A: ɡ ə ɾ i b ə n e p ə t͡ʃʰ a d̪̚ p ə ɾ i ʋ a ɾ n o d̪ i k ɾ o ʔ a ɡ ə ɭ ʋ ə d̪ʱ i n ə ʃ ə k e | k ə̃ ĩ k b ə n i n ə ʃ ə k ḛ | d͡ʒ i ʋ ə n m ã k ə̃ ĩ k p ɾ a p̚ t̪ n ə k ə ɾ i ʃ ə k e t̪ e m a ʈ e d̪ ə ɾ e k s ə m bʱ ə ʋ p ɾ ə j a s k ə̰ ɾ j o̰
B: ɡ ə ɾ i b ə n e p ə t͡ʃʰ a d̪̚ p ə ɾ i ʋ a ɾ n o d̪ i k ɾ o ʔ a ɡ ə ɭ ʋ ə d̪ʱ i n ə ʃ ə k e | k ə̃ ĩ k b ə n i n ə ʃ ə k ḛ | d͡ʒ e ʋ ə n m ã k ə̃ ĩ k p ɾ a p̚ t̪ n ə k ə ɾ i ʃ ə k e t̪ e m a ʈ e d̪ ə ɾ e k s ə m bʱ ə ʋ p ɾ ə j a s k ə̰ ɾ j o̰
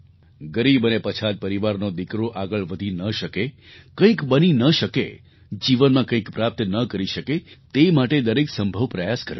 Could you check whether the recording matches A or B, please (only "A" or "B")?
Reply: A